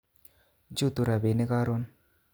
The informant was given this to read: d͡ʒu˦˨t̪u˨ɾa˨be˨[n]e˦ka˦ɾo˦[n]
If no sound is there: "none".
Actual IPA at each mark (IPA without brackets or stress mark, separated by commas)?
n, n